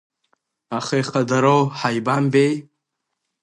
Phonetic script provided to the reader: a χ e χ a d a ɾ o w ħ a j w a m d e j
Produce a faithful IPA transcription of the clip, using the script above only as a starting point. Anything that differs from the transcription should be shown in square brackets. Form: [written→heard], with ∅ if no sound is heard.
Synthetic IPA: a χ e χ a d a ɾ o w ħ a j [w→b] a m [d→b] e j